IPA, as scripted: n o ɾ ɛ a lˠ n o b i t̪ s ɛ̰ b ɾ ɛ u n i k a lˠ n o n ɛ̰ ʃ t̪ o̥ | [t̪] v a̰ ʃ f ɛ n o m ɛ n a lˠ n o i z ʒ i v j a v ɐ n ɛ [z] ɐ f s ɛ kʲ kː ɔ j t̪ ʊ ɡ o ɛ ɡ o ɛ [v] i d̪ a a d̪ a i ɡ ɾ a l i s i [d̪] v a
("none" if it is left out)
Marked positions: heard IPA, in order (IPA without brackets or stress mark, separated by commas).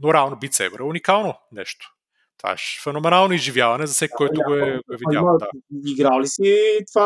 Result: t̪, z, v, t̪